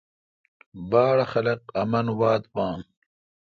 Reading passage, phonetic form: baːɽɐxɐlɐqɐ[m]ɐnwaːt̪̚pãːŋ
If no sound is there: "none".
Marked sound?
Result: m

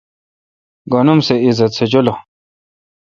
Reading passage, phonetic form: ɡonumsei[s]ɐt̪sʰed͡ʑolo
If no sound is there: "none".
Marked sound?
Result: z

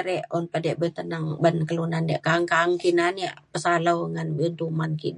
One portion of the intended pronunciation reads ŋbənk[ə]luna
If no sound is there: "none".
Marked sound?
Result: ə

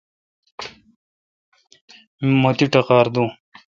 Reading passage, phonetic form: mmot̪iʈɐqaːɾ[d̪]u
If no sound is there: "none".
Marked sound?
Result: d̪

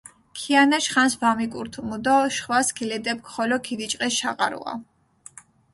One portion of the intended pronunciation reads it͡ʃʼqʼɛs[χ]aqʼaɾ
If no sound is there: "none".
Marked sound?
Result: ʃ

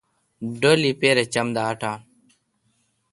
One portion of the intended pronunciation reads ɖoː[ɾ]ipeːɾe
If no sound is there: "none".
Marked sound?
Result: l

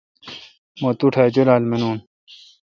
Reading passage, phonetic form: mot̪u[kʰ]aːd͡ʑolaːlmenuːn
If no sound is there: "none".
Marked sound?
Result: ʈʰ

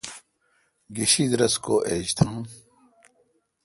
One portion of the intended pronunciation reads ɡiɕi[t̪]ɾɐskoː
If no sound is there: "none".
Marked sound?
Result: d̪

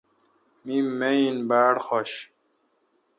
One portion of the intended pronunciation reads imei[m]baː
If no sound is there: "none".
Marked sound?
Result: n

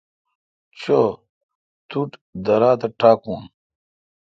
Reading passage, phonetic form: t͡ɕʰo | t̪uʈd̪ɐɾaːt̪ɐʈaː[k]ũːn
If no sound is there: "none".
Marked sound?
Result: k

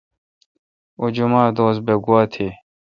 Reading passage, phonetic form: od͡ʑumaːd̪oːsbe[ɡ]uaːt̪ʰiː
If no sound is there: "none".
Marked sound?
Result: ɡ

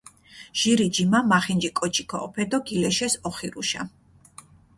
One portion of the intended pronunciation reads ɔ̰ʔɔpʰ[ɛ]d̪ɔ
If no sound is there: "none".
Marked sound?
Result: ɛ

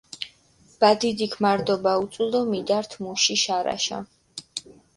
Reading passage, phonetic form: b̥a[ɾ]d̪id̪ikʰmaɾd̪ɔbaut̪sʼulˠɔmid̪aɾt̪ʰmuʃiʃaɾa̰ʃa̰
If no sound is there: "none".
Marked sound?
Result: none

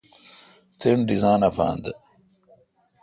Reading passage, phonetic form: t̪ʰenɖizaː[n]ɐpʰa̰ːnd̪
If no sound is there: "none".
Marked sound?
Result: n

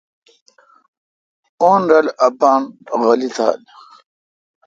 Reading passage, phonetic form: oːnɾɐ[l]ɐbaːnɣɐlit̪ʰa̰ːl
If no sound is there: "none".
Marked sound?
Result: l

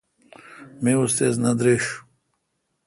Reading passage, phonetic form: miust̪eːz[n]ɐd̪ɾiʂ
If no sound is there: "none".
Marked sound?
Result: n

